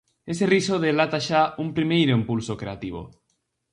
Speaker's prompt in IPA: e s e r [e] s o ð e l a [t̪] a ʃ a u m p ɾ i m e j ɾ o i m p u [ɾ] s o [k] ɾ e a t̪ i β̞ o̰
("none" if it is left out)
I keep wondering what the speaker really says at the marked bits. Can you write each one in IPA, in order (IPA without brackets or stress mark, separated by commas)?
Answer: i, t̪, l, k